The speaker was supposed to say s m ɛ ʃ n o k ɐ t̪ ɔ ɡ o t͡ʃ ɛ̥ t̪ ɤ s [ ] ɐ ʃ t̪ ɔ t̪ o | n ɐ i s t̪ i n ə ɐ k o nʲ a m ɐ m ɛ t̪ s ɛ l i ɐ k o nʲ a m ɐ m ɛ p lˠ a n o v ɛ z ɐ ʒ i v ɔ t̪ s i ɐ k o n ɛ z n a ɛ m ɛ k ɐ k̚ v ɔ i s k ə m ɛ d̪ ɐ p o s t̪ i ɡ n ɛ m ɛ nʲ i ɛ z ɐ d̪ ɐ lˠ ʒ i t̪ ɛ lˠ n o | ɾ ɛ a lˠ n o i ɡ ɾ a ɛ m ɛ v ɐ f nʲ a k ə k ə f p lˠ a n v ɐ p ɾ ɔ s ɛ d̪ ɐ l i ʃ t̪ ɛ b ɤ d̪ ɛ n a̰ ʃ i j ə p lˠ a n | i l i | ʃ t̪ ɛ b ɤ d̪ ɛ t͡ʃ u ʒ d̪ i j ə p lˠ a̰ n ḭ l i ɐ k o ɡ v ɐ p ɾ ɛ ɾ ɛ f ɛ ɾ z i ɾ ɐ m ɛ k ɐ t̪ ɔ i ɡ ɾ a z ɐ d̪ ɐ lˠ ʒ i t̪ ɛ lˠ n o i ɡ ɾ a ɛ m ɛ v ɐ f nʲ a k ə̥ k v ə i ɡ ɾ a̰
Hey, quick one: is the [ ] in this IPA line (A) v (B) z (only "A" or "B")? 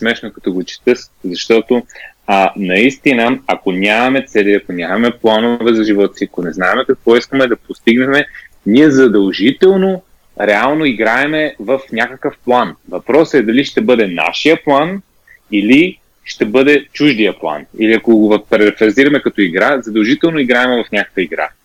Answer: B